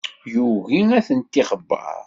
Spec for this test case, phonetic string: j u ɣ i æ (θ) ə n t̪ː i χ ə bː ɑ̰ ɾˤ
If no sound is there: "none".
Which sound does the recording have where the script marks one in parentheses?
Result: θ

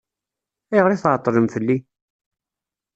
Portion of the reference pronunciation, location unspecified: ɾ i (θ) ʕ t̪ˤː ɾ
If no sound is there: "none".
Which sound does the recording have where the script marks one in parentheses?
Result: θ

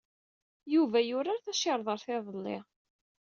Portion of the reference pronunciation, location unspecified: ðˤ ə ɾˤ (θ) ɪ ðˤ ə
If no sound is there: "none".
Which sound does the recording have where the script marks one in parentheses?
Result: θ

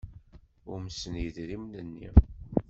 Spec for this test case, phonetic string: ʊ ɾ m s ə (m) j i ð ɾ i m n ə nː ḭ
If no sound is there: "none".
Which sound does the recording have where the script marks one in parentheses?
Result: n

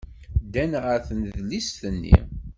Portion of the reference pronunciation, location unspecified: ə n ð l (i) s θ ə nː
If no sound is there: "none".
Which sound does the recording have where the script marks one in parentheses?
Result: i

